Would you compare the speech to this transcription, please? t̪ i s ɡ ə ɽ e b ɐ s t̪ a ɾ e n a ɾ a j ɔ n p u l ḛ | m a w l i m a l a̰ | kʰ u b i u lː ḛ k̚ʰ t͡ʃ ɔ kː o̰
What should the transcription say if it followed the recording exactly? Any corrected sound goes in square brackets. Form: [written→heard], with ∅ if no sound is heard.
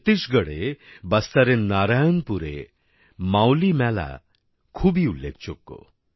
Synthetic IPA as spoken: t̪ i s ɡ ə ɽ e b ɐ s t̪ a ɾ e n a ɾ a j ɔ n p u [l→ɾ] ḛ | m a w l i m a l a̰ | kʰ u b i u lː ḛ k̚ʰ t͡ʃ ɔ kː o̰

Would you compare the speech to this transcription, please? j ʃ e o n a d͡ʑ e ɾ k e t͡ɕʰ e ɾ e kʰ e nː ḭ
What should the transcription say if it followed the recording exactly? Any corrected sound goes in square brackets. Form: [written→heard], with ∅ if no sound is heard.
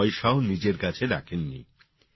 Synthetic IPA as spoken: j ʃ [e→a] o n [a→i] d͡ʑ e ɾ k [e→a] t͡ɕʰ e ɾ [e→a] kʰ e nː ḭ

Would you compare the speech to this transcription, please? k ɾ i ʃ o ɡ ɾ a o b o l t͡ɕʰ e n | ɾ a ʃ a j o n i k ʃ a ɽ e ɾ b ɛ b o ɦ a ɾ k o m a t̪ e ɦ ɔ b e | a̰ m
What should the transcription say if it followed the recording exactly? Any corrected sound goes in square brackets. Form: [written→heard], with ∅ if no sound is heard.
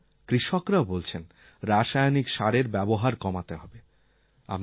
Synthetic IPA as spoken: k ɾ i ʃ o [ɡ→k] ɾ a o b o l t͡ɕʰ e n | ɾ a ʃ a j o n i k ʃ a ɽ e ɾ b ɛ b o ɦ a ɾ k [o→ɔ] m a t̪ e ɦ ɔ b e | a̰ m

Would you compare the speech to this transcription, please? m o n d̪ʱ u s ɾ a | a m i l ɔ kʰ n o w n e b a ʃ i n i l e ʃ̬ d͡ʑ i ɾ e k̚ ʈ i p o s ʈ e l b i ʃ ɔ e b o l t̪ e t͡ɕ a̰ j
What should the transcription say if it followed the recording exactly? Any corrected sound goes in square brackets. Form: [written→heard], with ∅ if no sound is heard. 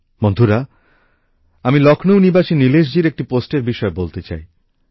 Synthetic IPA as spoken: m o n d̪ʱ u [s→∅] ɾ a | a m i l ɔ kʰ n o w n [e→i] b a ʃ i n i l e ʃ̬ d͡ʑ i ɾ e k̚ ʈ i p o s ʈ e [l→ɾ] b i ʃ ɔ e b o l t̪ e t͡ɕ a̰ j

